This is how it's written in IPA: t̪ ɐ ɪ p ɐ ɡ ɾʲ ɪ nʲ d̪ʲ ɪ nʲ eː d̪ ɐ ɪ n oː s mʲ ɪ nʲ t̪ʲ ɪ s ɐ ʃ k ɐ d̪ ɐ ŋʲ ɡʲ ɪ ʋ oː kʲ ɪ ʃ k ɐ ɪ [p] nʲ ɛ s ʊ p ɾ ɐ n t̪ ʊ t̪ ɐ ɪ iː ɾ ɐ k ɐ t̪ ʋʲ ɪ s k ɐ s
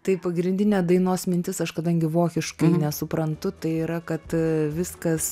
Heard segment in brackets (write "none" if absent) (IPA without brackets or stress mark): none